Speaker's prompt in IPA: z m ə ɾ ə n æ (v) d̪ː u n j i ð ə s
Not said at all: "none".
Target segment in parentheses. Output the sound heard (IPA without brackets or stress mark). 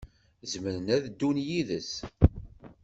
ð